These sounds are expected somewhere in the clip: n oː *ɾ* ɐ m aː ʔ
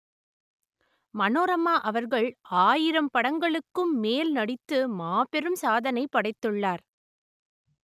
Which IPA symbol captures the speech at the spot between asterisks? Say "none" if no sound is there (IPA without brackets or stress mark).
ɾ